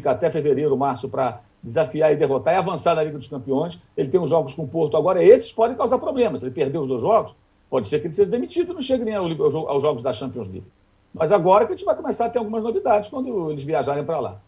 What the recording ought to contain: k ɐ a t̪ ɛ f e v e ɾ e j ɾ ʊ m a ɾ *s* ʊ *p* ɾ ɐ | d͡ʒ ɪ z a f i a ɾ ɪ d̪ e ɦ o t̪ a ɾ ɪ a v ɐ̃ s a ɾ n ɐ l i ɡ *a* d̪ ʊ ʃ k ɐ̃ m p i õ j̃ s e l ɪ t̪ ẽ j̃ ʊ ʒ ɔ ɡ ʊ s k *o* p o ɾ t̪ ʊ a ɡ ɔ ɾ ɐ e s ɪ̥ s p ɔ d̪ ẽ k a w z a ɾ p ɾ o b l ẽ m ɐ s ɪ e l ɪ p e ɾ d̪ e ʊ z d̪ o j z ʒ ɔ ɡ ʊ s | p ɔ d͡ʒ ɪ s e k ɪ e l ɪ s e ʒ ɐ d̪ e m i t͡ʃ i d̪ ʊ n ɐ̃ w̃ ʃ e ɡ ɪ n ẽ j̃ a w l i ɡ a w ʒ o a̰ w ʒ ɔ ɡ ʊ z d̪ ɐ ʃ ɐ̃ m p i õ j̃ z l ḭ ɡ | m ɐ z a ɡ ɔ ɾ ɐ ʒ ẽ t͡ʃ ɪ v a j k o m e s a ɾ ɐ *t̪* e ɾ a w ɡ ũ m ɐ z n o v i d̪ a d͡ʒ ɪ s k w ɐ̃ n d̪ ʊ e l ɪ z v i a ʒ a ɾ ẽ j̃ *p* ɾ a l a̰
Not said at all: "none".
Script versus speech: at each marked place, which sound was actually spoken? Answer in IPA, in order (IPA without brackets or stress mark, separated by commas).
s, p, ɐ, õ, t̪, p